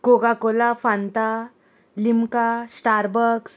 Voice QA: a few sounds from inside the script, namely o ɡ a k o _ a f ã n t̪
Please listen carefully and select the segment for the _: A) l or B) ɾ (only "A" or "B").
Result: A